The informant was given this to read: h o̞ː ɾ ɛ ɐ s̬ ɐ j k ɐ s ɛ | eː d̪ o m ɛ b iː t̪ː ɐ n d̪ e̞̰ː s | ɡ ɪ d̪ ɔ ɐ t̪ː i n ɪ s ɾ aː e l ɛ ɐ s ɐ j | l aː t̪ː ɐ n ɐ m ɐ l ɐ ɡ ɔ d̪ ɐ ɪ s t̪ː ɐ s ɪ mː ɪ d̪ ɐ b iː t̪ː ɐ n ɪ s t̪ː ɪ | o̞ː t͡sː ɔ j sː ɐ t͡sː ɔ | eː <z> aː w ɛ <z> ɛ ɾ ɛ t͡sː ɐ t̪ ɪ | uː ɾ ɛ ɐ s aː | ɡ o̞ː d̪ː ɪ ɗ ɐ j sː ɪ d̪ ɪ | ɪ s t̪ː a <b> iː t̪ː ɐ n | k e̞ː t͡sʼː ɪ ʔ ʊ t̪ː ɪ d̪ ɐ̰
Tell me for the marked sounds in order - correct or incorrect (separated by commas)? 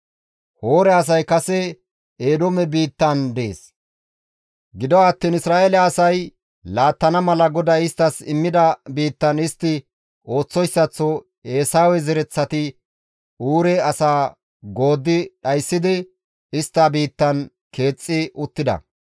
incorrect, correct, correct